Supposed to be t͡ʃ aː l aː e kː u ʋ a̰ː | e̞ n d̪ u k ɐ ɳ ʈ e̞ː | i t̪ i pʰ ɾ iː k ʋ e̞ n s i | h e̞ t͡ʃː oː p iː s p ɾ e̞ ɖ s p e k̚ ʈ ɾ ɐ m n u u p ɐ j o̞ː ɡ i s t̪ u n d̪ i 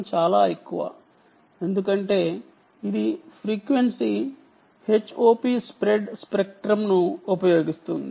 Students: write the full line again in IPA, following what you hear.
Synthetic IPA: t͡ʃ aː l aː e kː u ʋ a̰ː | e̞ n d̪ u k ɐ ɳ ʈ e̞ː | i d̪ i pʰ ɾ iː k ʋ e̞ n s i | h e̞ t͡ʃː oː p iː s p ɾ e̞ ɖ s p e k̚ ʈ ɾ ɐ m n u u p ɐ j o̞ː ɡ i s t̪ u n d̪ i